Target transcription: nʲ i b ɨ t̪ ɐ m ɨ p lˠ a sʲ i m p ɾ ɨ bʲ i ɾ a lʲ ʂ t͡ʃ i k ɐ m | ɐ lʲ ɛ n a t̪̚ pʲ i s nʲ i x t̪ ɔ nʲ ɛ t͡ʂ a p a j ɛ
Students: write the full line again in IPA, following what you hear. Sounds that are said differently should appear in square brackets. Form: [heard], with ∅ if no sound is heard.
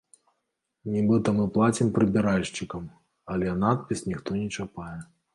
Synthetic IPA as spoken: nʲ i b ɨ t̪ ɐ m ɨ p lˠ a [t͡sʲ] i m p ɾ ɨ bʲ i ɾ a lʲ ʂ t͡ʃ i k ɐ m | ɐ lʲ ɛ n a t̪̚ pʲ i s nʲ i x t̪ ɔ nʲ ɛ t͡ʂ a p a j ɛ